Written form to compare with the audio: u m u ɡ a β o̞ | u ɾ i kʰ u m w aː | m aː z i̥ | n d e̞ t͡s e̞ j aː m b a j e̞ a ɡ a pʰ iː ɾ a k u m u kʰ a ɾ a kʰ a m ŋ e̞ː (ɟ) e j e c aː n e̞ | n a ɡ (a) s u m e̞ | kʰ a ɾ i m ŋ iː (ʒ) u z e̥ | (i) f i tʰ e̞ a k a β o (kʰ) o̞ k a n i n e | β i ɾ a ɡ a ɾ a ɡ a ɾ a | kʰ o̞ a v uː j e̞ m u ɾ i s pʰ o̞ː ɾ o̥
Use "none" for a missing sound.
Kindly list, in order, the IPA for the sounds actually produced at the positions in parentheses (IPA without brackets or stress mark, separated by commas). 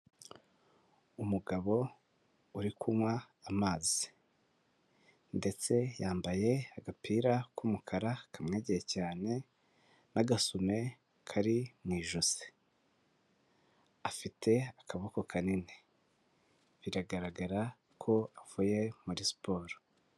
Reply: ɟ, a, ʒ, a, k